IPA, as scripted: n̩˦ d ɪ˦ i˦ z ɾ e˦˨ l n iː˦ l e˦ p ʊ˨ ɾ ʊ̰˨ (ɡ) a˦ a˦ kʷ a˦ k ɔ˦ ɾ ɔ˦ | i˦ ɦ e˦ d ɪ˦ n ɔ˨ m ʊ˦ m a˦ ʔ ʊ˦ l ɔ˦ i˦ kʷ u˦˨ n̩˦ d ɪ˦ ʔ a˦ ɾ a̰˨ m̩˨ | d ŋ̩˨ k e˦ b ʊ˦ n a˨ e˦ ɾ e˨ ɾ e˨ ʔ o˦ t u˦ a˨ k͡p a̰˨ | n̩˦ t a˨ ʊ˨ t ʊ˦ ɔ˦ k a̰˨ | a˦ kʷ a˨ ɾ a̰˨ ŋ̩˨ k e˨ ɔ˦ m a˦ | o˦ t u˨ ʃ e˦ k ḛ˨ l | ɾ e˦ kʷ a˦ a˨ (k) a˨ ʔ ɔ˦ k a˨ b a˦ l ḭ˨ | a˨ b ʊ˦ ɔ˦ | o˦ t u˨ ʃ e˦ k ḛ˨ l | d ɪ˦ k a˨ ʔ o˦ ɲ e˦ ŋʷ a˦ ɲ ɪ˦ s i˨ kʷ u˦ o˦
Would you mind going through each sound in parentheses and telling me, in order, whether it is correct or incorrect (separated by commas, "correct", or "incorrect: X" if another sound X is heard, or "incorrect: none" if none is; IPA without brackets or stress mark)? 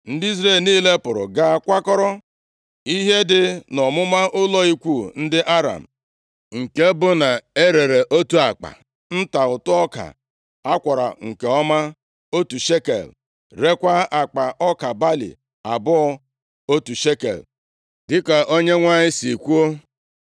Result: correct, incorrect: k͡p